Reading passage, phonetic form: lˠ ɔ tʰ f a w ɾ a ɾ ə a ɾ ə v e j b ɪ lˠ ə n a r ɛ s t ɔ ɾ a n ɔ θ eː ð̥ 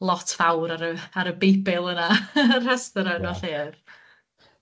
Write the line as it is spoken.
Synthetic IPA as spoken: lˠ ɔ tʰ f a w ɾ a ɾ ə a ɾ ə b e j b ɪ lˠ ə n a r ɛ s t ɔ ɾ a n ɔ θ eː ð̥